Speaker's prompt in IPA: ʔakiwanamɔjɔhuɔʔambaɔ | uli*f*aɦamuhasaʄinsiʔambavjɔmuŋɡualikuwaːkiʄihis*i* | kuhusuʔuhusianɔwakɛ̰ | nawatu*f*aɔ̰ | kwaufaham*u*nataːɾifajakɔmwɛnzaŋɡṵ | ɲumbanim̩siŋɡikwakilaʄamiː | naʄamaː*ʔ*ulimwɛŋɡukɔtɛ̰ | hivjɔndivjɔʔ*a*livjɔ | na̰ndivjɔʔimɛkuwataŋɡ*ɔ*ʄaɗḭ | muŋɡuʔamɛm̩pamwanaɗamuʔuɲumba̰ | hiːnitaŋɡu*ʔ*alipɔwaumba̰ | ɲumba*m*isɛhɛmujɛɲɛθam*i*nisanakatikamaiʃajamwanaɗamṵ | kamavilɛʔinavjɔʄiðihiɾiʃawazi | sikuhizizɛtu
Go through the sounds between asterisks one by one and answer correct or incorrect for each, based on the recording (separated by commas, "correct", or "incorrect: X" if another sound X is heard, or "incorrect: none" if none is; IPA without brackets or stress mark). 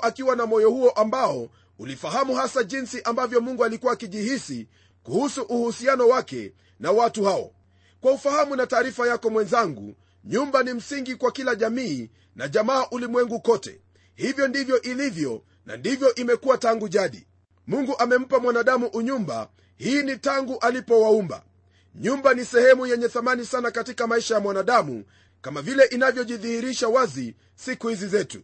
correct, correct, incorrect: h, correct, correct, incorrect: i, incorrect: u, correct, incorrect: n, incorrect: a